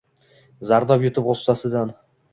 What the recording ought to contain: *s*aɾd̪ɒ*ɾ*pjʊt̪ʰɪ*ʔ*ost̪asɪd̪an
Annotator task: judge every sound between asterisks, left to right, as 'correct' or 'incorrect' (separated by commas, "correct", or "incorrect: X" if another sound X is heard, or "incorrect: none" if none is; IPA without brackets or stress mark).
incorrect: z, incorrect: none, incorrect: p